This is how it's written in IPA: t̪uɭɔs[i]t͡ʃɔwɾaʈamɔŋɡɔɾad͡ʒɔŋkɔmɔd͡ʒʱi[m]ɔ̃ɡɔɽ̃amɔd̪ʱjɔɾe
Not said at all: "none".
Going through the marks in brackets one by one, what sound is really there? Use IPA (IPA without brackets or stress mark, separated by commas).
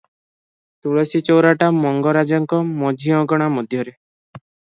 i, none